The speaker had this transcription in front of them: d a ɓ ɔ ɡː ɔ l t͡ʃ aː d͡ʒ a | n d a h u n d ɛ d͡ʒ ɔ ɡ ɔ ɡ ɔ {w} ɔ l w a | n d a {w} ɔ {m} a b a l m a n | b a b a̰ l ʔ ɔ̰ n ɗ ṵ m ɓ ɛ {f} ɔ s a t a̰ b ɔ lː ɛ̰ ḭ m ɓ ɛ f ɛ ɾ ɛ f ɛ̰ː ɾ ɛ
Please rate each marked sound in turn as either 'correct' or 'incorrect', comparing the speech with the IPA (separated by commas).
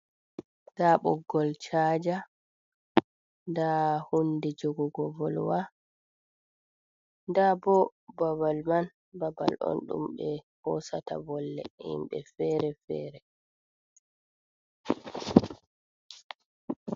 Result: incorrect, incorrect, incorrect, incorrect